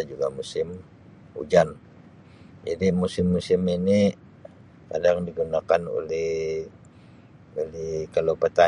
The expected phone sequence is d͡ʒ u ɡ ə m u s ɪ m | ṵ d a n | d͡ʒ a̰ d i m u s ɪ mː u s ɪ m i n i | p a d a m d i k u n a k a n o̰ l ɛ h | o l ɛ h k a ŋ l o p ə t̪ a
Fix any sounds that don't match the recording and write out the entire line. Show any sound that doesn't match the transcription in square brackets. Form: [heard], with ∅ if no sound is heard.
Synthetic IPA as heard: d͡ʒ u ɡ [a] m u s ɪ m | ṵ [d͡ʒ] a n | d͡ʒ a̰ d i m u s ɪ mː u s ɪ m i n i | [k] a d a [ŋ] d i [ɡ] u n a k a n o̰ l ɛ h | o l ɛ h k a [∅] l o p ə t̪ a

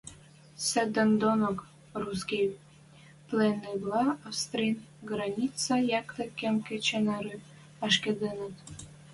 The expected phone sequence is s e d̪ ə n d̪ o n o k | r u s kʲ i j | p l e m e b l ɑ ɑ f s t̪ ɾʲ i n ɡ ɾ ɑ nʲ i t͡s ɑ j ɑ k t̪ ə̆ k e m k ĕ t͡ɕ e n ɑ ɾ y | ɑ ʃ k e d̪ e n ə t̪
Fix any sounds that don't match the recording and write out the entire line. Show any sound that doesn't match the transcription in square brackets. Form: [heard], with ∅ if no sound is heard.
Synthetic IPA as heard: s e d̪ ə n d̪ o n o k | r u s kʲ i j | p l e [n] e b l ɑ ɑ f s t̪ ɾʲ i n ɡ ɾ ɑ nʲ i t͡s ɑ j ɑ k t̪ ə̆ k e m k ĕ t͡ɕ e n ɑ ɾ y | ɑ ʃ k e d̪ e n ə t̪

